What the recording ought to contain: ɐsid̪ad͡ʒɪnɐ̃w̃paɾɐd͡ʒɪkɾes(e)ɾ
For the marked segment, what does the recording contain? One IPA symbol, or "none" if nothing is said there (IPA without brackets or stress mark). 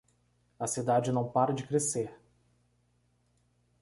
e